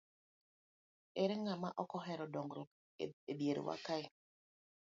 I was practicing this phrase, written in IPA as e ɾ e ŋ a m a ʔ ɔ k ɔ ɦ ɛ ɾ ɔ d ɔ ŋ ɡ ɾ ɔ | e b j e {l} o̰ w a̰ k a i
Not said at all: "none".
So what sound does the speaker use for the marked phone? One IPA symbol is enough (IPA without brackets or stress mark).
ɾ